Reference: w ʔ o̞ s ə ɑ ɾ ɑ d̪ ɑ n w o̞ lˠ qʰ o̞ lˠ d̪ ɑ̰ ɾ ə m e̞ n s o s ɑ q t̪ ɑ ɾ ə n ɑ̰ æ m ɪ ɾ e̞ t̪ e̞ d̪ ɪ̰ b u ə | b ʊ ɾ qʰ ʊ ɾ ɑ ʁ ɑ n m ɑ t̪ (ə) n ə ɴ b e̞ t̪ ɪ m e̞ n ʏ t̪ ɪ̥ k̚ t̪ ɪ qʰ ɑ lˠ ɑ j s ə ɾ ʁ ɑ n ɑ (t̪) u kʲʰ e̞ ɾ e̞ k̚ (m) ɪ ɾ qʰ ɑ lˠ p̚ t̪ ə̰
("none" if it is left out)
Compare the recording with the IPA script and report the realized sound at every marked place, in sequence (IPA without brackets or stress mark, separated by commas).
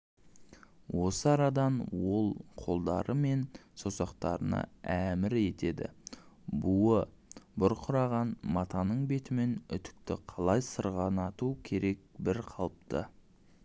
ɑ, t̪, b